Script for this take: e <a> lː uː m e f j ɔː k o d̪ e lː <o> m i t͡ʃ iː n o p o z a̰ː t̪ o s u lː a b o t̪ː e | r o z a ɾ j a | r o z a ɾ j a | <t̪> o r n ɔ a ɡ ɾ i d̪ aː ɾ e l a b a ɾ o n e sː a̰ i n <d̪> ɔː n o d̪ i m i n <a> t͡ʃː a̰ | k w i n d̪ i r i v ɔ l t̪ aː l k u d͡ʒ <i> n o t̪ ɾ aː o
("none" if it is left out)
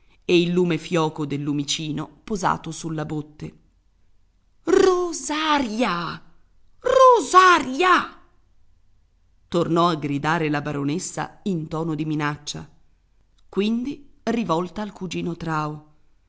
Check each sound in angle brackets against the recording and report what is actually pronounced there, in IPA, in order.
i, u, t̪, t̪, a, iː

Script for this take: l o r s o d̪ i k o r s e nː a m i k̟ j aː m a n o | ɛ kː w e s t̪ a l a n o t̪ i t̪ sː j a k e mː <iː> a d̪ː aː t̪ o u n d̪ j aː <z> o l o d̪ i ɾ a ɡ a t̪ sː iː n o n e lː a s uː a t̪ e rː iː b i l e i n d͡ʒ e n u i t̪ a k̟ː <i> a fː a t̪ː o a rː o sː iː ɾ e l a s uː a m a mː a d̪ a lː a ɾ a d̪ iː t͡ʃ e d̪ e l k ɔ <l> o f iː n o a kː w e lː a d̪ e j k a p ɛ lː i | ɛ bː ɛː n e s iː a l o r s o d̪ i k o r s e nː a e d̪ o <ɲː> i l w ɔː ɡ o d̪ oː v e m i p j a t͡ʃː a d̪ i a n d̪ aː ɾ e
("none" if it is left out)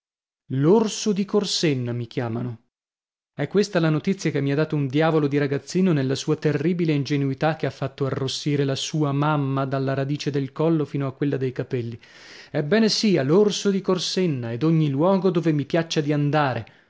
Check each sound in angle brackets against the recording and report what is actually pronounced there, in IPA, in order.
i, v, e, lː, ɲː

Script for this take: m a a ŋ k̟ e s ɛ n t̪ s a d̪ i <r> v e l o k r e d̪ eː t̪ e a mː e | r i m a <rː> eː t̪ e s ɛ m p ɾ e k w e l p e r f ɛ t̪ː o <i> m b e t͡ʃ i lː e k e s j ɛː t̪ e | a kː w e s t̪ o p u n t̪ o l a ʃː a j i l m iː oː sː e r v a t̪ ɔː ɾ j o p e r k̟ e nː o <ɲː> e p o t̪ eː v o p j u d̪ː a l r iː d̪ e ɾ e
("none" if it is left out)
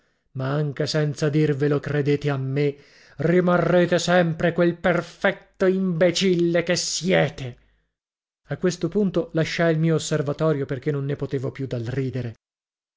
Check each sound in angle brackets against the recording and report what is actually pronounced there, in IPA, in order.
r, rː, i, nː

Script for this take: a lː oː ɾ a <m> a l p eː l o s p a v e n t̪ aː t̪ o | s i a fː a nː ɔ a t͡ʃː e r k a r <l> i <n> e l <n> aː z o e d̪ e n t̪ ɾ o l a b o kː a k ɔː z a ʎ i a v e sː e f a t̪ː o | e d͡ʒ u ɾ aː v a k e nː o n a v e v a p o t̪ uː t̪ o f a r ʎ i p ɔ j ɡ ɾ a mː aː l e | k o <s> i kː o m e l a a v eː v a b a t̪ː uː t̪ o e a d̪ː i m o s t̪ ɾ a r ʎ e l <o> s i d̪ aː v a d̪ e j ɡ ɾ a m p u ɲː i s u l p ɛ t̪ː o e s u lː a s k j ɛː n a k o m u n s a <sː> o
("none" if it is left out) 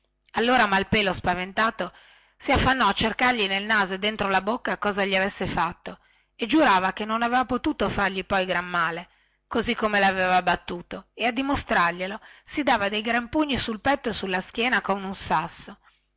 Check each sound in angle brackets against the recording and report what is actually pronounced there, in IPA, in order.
m, ʎ, n, n, z, o, sː

